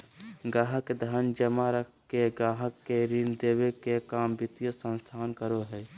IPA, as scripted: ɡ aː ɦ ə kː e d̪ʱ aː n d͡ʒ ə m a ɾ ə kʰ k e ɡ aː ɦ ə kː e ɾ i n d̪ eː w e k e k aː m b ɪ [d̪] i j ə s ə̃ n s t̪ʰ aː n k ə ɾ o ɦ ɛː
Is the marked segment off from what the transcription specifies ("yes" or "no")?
yes